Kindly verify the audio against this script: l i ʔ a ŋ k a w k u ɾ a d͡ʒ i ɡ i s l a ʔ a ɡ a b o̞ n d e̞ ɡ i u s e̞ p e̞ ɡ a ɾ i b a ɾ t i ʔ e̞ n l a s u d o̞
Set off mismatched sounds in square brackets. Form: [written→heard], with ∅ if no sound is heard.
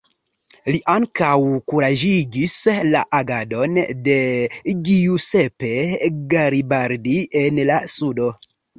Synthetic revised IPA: l i ʔ a ŋ k a w k u ɾ a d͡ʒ i ɡ i s l a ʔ a ɡ a [b→d] o̞ n d e̞ ɡ i u s e̞ p e̞ ɡ a ɾ i b a ɾ [t→d] i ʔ e̞ n l a s u d o̞